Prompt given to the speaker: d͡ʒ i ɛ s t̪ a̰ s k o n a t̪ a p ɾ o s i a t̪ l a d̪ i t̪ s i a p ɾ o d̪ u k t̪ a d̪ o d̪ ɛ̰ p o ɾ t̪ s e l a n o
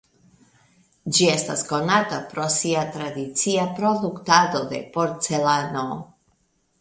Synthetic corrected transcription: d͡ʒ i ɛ s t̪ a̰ s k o n a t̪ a p ɾ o s i a t̪ ɾ a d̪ i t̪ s i a p ɾ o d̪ u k t̪ a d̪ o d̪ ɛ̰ p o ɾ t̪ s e l a n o